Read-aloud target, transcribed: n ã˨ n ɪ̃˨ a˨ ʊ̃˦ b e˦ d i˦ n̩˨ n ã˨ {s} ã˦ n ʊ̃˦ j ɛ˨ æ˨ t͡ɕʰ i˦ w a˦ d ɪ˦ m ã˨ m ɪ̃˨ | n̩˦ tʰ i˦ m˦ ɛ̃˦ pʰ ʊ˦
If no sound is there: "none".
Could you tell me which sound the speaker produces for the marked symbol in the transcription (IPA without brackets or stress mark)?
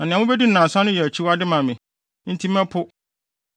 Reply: s